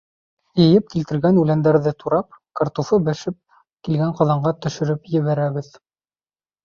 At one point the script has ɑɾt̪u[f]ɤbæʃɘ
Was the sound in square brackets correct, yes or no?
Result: yes